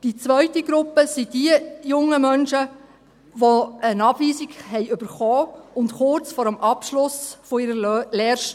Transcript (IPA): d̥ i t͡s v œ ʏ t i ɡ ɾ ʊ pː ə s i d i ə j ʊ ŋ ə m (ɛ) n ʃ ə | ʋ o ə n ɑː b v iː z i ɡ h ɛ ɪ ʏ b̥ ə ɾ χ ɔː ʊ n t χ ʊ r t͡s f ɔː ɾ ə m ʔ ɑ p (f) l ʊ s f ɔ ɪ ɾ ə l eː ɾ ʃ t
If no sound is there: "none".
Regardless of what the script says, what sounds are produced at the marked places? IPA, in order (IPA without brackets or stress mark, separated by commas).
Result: œ, ʃ